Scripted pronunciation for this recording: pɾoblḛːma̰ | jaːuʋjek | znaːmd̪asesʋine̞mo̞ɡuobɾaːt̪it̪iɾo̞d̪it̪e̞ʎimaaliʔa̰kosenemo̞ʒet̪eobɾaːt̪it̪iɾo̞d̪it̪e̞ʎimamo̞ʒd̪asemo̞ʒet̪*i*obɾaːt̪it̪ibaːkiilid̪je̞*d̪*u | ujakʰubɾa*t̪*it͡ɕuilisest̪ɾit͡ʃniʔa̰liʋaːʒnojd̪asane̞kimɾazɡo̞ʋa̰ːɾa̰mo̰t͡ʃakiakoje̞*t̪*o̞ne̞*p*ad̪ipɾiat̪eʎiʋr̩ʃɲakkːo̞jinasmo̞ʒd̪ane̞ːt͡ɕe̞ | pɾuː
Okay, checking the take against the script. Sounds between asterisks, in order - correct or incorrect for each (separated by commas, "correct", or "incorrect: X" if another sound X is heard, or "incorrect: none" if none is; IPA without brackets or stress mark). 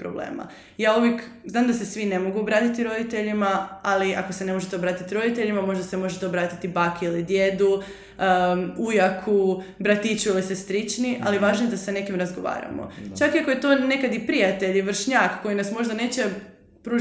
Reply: incorrect: e, correct, correct, correct, incorrect: k